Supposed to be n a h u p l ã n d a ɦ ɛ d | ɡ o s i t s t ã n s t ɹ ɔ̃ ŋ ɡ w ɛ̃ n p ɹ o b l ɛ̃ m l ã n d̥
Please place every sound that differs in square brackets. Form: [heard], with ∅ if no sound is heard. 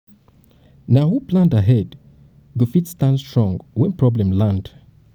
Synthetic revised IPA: n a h u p l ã n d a ɦ ɛ d | ɡ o [f] i t s t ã n s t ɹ ɔ̃ ŋ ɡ w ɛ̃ n p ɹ [ɔ] b l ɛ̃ m l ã n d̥